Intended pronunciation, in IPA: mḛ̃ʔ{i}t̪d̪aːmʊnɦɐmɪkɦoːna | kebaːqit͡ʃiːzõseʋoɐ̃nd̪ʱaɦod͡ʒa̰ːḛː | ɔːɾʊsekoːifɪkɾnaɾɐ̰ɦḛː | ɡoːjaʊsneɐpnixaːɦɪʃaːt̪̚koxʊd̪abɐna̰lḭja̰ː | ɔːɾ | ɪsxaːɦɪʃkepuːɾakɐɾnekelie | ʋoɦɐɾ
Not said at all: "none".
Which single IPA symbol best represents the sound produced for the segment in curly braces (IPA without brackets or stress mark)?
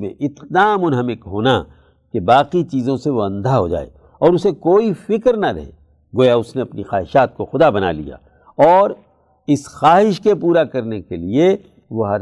ɪ